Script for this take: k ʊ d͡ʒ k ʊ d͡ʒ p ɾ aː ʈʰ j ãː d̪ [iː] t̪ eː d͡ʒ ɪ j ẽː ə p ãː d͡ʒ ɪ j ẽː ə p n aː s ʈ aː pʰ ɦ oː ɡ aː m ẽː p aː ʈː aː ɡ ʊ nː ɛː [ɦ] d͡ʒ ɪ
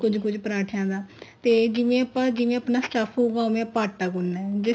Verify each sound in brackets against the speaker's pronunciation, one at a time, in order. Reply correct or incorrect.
incorrect: aː, incorrect: none

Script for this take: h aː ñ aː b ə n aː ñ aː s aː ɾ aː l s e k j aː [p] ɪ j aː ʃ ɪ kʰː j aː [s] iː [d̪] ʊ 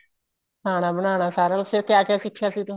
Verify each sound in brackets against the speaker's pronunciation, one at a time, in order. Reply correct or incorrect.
incorrect: k, correct, incorrect: t̪

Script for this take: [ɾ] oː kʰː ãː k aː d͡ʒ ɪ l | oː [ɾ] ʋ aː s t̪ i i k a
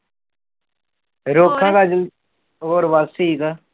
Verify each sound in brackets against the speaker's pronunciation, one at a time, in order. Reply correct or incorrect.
correct, correct

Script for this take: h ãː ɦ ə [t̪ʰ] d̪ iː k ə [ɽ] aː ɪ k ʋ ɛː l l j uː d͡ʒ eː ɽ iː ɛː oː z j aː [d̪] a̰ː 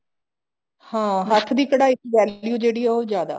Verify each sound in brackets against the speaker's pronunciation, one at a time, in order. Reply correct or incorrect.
correct, correct, correct

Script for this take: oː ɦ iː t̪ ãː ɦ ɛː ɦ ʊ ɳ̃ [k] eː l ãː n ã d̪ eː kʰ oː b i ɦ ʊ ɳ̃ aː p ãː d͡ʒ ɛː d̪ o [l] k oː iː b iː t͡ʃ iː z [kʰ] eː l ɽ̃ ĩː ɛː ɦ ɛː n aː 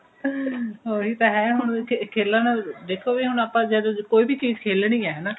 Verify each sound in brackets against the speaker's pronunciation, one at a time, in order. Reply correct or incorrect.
incorrect: kʰ, incorrect: none, correct

